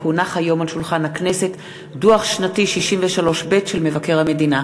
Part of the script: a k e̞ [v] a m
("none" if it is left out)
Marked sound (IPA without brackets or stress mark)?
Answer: ʁ